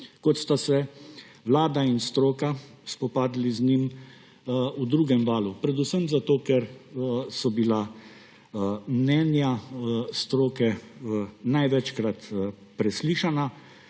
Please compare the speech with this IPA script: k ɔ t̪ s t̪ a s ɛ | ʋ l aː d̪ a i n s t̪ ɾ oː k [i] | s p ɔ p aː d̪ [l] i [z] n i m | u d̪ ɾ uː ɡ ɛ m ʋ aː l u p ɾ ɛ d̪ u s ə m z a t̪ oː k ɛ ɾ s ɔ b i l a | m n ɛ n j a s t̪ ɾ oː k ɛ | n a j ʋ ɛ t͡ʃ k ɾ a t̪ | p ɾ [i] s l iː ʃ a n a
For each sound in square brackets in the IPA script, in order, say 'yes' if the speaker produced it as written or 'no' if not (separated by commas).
no, yes, yes, no